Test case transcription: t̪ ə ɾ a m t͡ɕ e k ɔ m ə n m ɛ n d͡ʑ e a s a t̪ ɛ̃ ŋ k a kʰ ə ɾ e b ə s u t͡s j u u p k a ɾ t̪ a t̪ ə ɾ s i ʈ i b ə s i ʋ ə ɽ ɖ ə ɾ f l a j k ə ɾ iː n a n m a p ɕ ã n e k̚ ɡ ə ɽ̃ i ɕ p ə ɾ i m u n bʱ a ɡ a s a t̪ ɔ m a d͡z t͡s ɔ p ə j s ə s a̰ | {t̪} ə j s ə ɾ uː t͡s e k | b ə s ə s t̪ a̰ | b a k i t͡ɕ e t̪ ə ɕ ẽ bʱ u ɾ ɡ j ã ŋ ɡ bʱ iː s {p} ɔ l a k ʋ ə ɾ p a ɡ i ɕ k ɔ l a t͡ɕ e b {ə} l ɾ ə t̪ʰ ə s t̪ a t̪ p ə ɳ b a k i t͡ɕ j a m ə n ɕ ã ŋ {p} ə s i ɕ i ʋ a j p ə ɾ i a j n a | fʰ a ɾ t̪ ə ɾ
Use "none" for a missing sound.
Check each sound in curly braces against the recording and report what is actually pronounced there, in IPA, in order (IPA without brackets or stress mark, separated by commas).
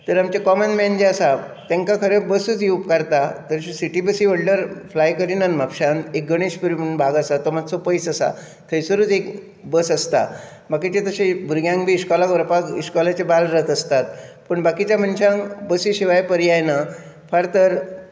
t̪ʰ, k, a, b